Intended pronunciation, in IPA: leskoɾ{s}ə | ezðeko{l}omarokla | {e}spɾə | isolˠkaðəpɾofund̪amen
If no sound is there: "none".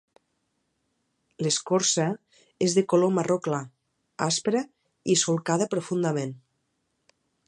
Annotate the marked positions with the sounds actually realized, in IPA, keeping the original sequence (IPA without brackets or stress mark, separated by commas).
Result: s, l, a